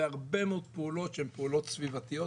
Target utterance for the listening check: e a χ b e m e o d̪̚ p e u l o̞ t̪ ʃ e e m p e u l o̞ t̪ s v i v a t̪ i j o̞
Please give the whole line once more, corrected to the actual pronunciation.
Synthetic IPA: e a ʁ b e m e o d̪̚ p e u l o̞ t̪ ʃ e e m p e u l o̞ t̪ s v i v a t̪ i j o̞